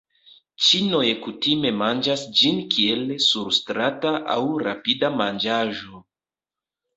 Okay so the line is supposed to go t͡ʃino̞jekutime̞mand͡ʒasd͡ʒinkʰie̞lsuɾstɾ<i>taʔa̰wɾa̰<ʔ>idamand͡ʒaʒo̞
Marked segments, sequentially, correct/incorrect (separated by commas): incorrect, incorrect